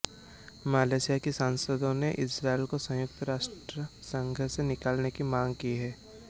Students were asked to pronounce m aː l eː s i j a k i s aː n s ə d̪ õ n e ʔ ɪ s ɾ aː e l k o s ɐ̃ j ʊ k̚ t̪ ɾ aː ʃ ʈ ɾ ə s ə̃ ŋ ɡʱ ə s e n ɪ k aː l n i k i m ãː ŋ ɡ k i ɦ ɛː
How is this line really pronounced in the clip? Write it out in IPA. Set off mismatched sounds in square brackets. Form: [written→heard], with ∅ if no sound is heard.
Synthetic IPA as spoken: m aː l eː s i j a k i s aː n s ə d̪ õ n e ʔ ɪ s ɾ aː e l k o s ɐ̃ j ʊ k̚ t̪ ɾ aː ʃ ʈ ɾ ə s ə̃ ŋ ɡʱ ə s e n ɪ k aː l n [i→e] k i m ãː ŋ ɡ k i ɦ ɛː